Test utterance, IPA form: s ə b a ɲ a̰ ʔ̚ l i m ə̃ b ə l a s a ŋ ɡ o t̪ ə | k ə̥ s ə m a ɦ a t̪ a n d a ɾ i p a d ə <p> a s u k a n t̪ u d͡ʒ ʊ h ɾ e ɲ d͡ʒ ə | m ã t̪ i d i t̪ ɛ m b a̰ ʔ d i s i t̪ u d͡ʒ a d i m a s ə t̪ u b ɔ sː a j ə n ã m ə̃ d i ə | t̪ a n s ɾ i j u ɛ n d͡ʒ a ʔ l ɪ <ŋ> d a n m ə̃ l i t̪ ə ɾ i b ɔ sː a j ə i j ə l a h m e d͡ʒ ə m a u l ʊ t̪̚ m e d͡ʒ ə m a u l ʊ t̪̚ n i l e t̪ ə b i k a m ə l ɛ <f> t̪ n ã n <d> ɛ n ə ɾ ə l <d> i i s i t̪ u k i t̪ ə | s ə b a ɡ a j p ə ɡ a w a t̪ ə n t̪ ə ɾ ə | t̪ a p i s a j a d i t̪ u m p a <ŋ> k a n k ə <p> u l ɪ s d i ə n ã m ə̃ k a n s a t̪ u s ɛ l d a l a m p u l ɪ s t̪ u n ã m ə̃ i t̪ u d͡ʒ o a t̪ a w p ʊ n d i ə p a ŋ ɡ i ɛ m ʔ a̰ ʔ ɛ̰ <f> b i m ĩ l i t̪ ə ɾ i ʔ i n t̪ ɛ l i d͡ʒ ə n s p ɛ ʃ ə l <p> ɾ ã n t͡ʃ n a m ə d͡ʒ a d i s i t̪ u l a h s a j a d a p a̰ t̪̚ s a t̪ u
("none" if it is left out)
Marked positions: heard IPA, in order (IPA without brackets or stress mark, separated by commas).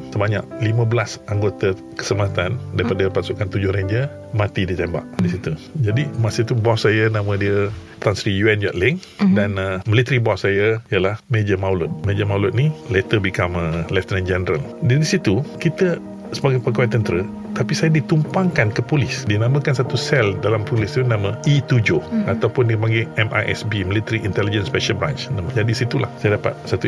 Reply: p, ŋ, f, d͡ʒ, d, ŋ, p, s, b